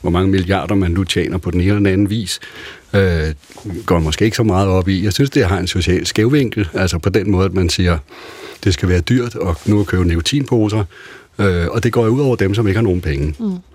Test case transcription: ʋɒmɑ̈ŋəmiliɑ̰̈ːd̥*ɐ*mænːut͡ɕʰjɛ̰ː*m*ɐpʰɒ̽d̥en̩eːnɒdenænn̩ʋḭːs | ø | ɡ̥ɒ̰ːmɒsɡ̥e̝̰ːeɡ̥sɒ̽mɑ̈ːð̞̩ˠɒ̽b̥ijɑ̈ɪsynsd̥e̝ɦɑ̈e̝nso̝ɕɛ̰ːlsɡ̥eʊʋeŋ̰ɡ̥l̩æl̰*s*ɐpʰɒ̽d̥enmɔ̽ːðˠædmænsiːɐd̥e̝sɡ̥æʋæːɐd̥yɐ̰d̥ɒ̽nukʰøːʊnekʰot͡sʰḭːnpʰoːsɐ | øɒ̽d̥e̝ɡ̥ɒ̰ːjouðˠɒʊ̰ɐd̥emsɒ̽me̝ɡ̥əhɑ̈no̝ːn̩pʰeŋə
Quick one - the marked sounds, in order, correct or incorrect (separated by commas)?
correct, incorrect, correct